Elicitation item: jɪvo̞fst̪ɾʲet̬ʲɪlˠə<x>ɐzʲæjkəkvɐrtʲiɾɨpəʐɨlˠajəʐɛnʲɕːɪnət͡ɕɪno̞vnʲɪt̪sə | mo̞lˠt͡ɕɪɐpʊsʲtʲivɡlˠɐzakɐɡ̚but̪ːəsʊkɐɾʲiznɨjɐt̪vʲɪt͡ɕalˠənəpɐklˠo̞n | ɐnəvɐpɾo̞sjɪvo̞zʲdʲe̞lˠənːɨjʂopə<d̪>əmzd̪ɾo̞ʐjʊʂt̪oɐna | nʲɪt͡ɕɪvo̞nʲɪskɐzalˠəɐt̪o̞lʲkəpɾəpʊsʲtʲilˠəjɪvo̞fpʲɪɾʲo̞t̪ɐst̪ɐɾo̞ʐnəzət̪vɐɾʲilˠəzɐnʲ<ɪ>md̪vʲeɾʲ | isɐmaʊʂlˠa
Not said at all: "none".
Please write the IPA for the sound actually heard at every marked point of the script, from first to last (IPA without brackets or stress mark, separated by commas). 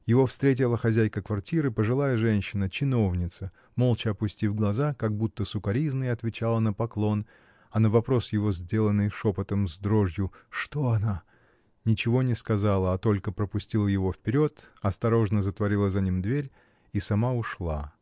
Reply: x, t̪, i